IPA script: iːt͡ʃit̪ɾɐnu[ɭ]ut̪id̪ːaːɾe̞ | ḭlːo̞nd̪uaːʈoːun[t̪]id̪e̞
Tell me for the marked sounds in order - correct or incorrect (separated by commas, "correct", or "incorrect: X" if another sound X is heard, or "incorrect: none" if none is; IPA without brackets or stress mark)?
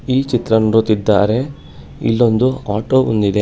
incorrect: ɾ, incorrect: d̪